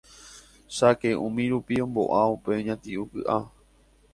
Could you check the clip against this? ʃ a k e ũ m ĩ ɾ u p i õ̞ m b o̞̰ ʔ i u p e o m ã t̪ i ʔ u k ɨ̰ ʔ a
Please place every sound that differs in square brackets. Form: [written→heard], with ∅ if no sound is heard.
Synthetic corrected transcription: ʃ a k e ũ m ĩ ɾ u p i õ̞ m b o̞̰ ʔ [i→a] u p e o [m→ɲ] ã t̪ i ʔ u k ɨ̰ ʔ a